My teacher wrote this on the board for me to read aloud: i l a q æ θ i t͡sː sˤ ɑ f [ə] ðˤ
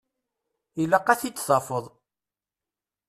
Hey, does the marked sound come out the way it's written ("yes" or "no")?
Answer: yes